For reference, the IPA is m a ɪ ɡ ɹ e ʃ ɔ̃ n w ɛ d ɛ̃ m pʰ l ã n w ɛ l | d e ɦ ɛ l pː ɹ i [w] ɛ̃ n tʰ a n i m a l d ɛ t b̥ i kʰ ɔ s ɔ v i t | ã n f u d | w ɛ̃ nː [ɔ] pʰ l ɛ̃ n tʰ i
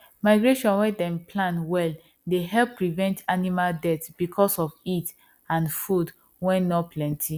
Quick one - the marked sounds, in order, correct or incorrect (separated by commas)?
incorrect, correct